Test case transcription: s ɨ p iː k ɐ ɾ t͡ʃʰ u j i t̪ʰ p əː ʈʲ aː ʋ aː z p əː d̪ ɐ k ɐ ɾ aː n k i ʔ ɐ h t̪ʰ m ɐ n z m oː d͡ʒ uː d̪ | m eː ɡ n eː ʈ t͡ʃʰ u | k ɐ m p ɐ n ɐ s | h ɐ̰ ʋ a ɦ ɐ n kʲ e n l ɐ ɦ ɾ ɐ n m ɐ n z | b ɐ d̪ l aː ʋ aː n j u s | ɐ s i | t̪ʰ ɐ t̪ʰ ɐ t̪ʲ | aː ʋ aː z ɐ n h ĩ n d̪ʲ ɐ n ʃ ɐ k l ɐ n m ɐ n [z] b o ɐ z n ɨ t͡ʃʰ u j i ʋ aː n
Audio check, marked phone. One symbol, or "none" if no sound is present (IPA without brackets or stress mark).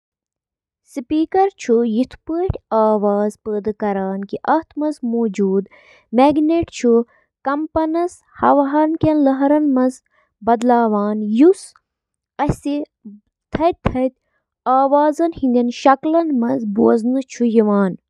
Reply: z